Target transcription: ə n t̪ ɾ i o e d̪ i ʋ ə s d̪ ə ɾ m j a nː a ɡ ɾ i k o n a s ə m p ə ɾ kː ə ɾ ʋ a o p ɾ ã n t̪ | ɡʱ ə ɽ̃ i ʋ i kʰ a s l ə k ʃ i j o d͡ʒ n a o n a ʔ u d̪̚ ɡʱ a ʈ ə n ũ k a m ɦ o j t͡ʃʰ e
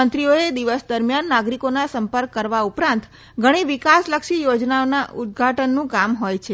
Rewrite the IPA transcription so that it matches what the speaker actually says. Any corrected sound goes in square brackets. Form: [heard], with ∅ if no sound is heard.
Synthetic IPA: ə n t̪ ɾ i o e d̪ i ʋ ə s d̪ ə ɾ m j a nː a ɡ ɾ i k o n a s ə m p ə ɾ kː ə ɾ ʋ a [u] p ɾ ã n t̪ | ɡʱ ə ɽ̃ i ʋ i [k] a s l ə k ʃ i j o d͡ʒ n a o n a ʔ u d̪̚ ɡʱ a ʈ ə [nː] ũ k a m ɦ o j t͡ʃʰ e